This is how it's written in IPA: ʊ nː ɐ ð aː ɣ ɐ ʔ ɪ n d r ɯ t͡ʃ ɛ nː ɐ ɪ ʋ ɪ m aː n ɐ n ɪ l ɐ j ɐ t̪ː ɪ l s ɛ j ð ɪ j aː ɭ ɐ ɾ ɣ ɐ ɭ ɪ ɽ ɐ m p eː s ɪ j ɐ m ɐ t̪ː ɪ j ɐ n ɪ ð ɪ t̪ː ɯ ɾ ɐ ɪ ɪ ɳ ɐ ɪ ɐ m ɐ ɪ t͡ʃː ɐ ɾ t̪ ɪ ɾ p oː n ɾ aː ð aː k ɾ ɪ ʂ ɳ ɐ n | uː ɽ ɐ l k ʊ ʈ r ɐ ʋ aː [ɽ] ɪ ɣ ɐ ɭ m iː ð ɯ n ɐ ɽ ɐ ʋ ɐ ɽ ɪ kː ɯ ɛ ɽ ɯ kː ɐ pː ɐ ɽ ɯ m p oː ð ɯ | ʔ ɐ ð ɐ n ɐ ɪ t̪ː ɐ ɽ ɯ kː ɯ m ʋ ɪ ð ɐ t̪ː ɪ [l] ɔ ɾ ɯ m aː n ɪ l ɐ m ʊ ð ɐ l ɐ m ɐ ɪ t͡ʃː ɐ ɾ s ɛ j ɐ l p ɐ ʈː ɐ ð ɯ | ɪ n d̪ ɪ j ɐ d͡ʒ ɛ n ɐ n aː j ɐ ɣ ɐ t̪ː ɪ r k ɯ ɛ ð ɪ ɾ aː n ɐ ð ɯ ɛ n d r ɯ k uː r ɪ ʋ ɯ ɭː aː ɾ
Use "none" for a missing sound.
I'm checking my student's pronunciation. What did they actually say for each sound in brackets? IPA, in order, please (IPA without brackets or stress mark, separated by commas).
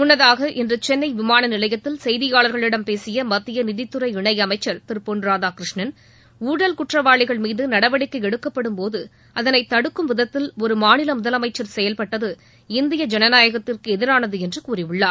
ɭ, l